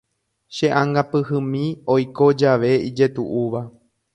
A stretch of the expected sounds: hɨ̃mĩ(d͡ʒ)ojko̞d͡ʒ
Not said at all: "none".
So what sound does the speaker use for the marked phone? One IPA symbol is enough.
none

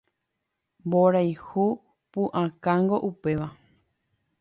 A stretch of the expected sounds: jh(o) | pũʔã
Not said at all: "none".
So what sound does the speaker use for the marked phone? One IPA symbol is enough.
u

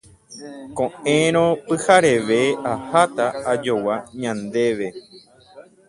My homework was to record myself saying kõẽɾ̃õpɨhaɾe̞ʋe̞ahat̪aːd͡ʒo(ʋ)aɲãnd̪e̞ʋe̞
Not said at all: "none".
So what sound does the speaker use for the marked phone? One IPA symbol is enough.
w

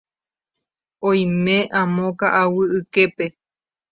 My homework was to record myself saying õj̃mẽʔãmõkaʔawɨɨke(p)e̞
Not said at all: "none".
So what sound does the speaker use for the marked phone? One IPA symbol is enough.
p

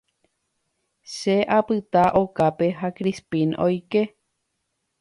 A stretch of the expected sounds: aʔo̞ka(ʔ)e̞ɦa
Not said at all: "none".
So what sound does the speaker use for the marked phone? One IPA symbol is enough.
p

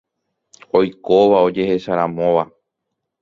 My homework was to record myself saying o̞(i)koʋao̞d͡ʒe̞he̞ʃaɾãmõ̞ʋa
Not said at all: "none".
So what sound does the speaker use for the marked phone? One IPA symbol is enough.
j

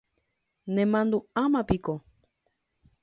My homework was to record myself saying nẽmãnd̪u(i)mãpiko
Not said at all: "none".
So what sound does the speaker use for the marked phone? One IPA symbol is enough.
a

